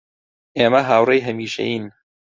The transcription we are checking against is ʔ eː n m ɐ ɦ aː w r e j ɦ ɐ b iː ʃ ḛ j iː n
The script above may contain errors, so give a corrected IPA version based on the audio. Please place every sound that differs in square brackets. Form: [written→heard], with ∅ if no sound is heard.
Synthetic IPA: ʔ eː [n→∅] m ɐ ɦ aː w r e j ɦ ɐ [b→m] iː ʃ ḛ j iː n